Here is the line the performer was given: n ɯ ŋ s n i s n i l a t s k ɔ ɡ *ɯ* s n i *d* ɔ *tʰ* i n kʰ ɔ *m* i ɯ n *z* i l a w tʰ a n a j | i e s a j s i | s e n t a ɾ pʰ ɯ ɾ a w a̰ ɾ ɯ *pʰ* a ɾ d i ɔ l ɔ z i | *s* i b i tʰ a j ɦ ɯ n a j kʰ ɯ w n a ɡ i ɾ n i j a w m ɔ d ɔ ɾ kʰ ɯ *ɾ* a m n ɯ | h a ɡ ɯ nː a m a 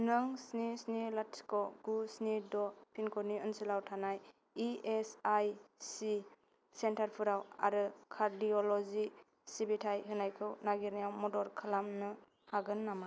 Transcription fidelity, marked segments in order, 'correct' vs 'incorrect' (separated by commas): incorrect, correct, incorrect, incorrect, incorrect, incorrect, correct, incorrect